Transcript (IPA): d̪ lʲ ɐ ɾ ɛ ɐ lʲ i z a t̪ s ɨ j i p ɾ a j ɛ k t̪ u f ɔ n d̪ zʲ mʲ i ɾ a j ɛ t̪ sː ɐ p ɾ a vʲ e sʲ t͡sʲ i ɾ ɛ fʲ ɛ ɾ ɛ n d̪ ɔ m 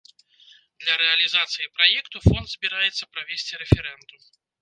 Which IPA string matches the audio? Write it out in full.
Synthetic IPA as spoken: d̪ lʲ ɐ ɾ ɛ ɐ lʲ i z a t̪ s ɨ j i p ɾ a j ɛ k t̪ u f ɔ n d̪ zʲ bʲ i ɾ a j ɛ t̪ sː ɐ p ɾ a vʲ e sʲ t͡sʲ i ɾ ɛ fʲ ɛ ɾ ɛ n d̪ u m